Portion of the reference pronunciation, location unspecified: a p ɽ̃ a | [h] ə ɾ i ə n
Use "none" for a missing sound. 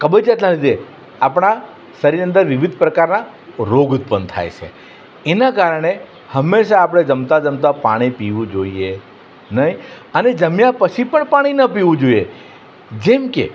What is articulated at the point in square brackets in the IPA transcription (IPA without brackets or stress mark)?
s